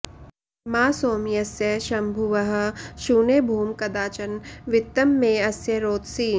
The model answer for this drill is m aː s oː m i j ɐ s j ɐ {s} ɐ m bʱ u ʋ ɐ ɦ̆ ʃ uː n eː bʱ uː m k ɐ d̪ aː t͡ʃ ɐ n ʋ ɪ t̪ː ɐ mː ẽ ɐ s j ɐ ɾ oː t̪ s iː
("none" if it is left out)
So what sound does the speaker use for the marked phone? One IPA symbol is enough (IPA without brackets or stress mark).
ʃ